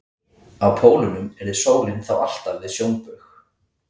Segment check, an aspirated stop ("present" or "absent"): present